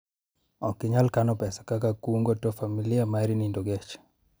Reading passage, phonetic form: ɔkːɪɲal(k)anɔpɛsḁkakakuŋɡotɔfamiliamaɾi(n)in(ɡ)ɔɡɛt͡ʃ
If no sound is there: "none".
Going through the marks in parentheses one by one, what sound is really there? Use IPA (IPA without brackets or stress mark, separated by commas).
k, n, d